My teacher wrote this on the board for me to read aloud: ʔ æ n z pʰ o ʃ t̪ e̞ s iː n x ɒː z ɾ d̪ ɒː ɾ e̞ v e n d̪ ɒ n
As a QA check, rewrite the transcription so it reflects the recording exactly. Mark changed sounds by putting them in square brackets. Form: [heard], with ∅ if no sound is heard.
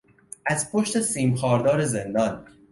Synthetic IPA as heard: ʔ æ [∅] z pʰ o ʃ t̪ e̞ s iː [m] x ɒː [∅] ɾ d̪ ɒː ɾ e̞ [z] e n d̪ ɒ n